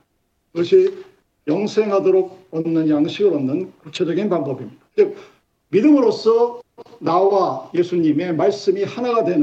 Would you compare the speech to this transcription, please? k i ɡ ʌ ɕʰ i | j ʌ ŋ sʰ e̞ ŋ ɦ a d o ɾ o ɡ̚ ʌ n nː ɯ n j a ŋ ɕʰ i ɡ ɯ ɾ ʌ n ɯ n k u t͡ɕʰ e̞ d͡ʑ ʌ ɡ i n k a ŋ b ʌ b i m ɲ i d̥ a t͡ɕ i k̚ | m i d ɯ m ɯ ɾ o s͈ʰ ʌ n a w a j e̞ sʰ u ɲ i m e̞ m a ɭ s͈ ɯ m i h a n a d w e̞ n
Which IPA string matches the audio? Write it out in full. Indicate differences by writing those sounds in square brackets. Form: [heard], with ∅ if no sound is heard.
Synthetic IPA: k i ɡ ʌ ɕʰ i | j ʌ ŋ sʰ e̞ ŋ ɦ a d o ɾ o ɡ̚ ʌ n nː ɯ n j a ŋ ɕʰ i ɡ ɯ ɾ ʌ n ɯ n k u t͡ɕʰ e̞ d͡ʑ ʌ ɡ i n [p] a ŋ b ʌ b i m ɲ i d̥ a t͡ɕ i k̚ | m i d ɯ m ɯ ɾ o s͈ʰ ʌ n a w a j e̞ sʰ u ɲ i m e̞ m a ɭ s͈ ɯ m i h a n a d w e̞ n